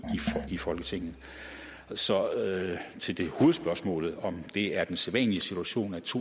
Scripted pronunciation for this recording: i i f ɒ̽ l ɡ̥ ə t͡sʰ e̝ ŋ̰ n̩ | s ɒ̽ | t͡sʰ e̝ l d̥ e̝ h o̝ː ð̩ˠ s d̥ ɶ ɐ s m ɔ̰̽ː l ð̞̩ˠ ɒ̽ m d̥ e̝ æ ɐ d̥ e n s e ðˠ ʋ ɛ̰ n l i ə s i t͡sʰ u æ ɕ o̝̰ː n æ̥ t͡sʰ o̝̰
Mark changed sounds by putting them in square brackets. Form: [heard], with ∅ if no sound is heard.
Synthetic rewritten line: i i f ɒ̽ l ɡ̥ ə t͡sʰ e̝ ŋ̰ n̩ | s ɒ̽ | t͡sʰ e̝ l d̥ e̝ h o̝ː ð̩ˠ s [b̥] ɶ ɐ s m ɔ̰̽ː l ð̞̩ˠ ɒ̽ m d̥ e̝ æ ɐ d̥ e n s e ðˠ ʋ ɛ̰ n l i ə s i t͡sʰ u æ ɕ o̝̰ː n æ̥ t͡sʰ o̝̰